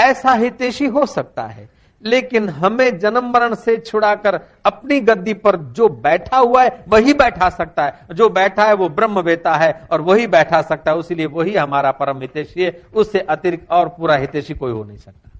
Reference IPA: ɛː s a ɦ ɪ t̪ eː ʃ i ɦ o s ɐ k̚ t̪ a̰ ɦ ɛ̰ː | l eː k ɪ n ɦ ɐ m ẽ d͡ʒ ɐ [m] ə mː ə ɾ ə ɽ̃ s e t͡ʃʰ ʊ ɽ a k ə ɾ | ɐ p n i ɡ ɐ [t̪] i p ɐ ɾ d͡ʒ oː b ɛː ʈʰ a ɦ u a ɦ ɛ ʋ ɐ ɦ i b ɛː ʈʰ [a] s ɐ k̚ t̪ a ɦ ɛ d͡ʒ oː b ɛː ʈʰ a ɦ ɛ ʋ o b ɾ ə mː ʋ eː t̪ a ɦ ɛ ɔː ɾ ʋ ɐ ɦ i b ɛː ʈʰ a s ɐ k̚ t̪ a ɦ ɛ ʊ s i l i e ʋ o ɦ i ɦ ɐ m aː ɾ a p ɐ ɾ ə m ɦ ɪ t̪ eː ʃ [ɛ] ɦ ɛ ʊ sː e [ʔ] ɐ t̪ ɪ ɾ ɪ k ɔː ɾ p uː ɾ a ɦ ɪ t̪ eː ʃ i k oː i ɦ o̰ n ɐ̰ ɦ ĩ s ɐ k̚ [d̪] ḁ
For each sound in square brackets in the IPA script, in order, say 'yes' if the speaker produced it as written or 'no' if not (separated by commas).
no, no, yes, no, yes, no